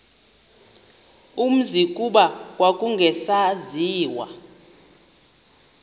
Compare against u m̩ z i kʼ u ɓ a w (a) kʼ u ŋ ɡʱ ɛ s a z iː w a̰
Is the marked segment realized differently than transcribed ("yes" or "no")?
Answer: no